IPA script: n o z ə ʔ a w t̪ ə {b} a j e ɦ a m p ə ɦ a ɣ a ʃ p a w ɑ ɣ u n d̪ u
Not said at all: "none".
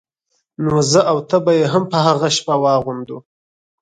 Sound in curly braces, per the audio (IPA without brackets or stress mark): b